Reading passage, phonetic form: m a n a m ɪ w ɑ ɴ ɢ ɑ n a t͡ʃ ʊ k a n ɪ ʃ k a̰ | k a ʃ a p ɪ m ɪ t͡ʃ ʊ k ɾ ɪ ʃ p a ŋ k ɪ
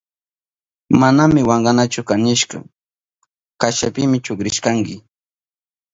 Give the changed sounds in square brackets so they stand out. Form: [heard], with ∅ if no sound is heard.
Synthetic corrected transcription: m a n a m ɪ w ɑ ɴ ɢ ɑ n a t͡ʃ ʊ k a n ɪ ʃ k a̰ | k a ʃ a p ɪ m ɪ t͡ʃ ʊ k ɾ ɪ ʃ [k] a ŋ k ɪ